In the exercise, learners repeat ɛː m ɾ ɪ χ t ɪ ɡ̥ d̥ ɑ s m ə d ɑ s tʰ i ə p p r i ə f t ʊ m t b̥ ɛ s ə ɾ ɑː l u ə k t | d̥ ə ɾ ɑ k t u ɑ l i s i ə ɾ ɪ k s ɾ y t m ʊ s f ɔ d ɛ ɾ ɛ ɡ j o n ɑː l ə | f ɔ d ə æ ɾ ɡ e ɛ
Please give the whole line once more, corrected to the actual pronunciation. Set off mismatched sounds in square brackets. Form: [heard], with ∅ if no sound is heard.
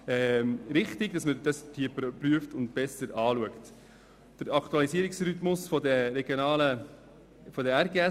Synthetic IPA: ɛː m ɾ ɪ χ t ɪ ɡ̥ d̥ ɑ s m ə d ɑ s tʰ i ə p p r [y] ə f t ʊ [n] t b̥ ɛ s ə ɾ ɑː l u ə k t | d̥ ə ɾ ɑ k t u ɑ l i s i ə ɾ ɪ k s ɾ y t m ʊ s f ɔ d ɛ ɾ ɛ ɡ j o n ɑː l ə | f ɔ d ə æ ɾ ɡ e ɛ